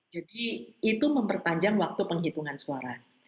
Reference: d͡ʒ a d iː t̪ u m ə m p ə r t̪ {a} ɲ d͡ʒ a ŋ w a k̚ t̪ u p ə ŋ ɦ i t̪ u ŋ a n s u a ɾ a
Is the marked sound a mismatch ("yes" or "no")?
no